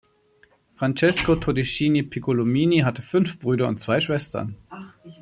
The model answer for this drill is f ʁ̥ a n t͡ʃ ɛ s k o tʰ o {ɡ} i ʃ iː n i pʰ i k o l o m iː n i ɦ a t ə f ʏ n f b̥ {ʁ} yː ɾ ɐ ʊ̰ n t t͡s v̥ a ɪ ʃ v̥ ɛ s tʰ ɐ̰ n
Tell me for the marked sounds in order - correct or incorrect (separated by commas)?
incorrect, correct